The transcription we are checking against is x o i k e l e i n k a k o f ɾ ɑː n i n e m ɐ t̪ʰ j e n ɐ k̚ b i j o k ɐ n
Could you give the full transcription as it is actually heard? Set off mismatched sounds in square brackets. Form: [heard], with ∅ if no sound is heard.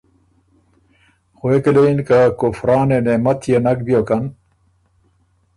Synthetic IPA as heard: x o [e] k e l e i n k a k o f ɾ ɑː n [e] n e m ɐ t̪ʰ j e n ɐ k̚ b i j o k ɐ n